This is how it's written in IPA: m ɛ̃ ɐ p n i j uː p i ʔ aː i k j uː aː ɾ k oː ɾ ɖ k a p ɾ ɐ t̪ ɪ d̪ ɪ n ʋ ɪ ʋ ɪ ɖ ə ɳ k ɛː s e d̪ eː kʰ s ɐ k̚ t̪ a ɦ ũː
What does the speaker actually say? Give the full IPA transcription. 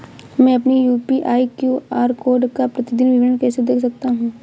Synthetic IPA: m ɛ̃ ɐ p n i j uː p i ʔ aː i k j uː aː ɾ k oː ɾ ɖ k a p ɾ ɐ t̪ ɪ d̪ ɪ n ʋ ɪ ʋ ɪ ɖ ə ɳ k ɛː s e d̪ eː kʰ s ɐ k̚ t̪ a ɦ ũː